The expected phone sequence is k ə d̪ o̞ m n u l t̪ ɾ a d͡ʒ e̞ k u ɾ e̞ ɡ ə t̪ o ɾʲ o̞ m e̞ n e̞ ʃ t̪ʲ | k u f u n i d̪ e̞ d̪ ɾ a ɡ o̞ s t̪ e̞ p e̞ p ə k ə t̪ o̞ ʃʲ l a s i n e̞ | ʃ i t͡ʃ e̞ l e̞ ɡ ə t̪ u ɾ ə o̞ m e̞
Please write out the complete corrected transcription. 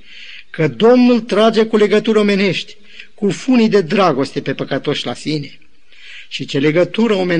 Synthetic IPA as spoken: k ə d̪ o̞ m n u l t̪ ɾ a d͡ʒ e̞ k u l e̞ ɡ ə t̪ u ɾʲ o̞ m e̞ n e̞ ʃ t̪ʲ | k u f u n i d̪ e̞ d̪ ɾ a ɡ o̞ s t̪ e̞ p e̞ p ə k ə t̪ o̞ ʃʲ l a s i n e̞ | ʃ i t͡ʃ e̞ l e̞ ɡ ə t̪ u ɾ ə o̞ m e̞